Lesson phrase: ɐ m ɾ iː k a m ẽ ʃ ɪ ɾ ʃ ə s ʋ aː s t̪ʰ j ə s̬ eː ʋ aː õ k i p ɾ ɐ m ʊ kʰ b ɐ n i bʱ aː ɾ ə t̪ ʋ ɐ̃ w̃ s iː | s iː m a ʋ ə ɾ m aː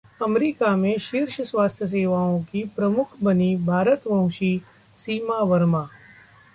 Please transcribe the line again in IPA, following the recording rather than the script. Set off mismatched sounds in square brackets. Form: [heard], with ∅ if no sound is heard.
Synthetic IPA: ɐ m ɾ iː k a m ẽ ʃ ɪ ɾ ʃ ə s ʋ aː s t̪ʰ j ə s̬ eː ʋ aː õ k i p ɾ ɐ m ʊ kʰ b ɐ n i bʱ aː ɾ ə t̪ ʋ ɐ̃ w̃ [ʃ] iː | s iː m a ʋ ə ɾ m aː

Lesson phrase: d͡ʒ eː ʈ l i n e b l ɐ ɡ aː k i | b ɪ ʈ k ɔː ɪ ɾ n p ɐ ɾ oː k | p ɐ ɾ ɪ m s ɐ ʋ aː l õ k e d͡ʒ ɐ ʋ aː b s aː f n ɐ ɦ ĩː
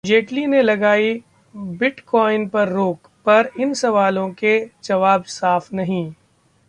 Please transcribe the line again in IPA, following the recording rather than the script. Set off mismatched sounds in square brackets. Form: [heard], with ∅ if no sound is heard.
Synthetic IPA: d͡ʒ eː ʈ l i n e [∅] l ɐ ɡ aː [∅] i | b ɪ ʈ k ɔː ɪ [∅] n p ɐ [ɾː] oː k | p ɐ ɾ ɪ [n] s ɐ ʋ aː l õ k e d͡ʒ ɐ ʋ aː b s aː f n ɐ ɦ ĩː

